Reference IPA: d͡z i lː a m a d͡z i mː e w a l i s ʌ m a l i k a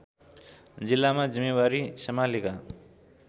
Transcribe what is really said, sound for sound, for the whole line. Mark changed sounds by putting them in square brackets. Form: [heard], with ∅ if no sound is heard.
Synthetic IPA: d͡z i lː a m a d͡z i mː e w a [ɾ] i s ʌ m a l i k a